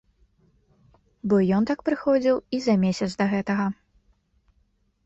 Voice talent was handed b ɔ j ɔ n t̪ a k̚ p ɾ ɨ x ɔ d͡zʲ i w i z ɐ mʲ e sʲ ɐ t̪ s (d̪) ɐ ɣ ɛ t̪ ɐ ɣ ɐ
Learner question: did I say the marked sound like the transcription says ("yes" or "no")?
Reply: yes